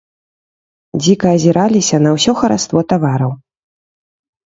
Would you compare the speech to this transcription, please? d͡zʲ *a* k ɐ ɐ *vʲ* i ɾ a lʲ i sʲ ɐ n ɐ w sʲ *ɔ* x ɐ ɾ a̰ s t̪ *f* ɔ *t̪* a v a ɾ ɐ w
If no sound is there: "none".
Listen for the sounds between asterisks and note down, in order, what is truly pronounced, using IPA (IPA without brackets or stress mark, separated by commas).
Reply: i, zʲ, ɔ, v, t̪